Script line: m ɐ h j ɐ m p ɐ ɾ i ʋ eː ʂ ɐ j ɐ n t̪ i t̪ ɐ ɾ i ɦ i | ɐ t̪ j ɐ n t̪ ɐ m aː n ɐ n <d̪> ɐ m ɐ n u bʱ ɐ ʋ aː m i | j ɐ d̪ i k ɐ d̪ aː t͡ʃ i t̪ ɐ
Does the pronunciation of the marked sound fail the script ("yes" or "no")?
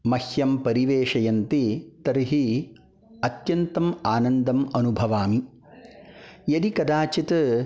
no